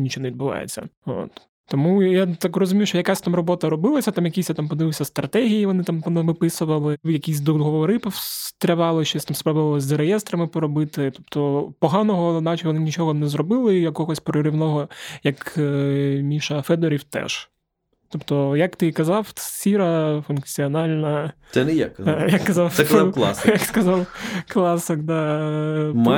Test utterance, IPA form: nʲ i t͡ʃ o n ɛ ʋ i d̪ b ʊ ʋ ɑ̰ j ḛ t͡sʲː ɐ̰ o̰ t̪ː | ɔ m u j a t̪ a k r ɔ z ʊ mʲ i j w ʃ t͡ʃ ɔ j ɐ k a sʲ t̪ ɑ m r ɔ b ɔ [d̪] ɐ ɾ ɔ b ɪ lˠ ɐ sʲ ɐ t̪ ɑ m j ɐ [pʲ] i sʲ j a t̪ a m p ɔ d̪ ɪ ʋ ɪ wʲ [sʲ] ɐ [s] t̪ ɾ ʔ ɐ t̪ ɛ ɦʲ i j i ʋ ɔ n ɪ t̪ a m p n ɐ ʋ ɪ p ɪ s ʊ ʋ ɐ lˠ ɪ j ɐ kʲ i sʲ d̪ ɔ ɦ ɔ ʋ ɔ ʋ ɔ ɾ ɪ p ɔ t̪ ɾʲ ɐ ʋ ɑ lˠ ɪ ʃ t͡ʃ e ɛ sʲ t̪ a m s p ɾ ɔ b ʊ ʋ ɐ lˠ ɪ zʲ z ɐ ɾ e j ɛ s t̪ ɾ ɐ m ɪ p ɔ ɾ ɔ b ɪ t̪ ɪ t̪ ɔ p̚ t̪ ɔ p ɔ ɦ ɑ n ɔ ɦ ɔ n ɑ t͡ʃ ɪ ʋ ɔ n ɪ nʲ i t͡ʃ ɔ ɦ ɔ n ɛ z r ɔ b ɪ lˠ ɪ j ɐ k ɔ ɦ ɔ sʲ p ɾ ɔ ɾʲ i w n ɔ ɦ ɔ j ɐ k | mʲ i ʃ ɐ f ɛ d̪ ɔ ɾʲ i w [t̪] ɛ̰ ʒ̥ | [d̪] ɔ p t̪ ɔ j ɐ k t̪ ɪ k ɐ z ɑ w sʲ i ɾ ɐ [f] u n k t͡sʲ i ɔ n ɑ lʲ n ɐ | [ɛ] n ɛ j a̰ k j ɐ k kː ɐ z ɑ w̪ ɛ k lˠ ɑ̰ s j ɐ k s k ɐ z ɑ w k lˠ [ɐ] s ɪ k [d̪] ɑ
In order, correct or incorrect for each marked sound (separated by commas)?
incorrect, incorrect, correct, correct, correct, incorrect, correct, correct, incorrect, correct